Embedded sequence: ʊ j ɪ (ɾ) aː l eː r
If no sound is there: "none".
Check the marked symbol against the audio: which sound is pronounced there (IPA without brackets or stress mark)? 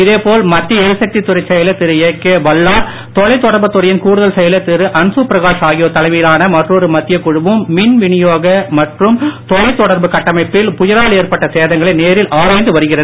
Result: ɾ